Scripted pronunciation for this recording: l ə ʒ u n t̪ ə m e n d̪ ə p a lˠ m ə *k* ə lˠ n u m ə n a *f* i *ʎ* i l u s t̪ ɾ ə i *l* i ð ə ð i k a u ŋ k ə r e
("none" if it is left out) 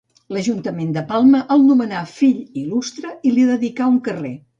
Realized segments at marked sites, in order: ʔ, f, ʎ, l

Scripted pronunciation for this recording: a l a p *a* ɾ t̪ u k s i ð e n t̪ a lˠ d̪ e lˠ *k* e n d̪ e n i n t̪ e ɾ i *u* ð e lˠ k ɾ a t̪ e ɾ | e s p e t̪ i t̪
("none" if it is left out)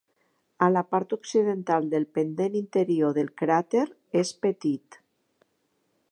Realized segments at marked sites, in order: a, p, o

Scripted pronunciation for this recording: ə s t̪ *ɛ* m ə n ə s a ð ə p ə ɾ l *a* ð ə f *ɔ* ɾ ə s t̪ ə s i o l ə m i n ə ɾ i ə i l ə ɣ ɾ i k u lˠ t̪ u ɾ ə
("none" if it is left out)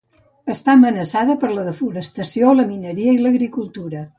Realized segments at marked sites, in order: a, ə, u

